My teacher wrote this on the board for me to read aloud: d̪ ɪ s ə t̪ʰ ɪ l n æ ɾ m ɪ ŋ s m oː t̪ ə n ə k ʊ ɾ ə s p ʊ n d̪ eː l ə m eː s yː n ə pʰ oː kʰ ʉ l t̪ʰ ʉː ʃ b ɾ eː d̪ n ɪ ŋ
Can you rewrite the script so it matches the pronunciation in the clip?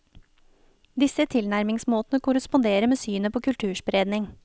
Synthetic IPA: d̪ ɪ s ə t̪ʰ ɪ l n æ ɾ m ɪ ŋ s m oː t̪ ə n ə k ʊ ɾ ə s p ʊ n d̪ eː ɾ ə m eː s yː n ə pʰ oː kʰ ʉ l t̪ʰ ʉː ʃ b ɾ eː d̪ n ɪ ŋ